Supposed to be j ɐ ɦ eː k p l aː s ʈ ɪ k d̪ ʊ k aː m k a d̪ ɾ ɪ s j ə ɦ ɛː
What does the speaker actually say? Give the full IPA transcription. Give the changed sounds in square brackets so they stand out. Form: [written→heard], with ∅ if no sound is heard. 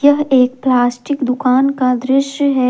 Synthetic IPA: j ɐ ɦ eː k p l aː s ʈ ɪ k d̪ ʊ k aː [m→n] k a d̪ ɾ ɪ [s→ʃ] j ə ɦ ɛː